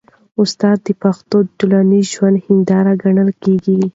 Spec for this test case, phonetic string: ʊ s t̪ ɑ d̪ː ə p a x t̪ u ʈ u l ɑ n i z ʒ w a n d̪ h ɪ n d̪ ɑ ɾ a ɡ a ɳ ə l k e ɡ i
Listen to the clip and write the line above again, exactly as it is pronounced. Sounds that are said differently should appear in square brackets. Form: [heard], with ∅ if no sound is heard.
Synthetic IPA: ʊ s t̪ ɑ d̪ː ə p a x t̪ [o] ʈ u l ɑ n i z ʒ w a n d̪ h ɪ n d̪ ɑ ɾ a ɡ a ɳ ə l k e ɡ i